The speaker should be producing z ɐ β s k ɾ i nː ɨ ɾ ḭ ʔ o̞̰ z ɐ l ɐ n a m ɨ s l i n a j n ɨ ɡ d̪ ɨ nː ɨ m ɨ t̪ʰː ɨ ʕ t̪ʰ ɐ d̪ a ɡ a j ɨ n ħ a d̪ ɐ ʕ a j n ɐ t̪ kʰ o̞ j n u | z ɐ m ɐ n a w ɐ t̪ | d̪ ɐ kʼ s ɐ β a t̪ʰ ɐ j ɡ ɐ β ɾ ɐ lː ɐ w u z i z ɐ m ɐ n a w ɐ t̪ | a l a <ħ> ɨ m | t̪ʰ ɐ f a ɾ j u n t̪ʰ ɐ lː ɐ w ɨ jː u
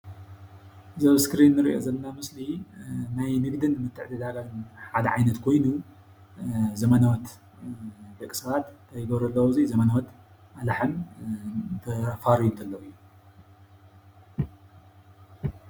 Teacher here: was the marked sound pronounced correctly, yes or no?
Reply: yes